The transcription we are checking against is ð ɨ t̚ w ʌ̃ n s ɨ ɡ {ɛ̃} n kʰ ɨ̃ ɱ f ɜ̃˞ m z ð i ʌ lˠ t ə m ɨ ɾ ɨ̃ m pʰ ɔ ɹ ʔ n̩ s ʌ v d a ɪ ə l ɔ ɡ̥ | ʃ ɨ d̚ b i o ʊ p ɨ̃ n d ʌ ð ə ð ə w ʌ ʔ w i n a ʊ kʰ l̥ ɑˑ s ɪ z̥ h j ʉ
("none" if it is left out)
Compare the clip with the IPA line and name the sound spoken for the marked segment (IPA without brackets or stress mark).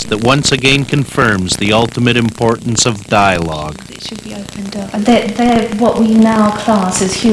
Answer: ɛ̃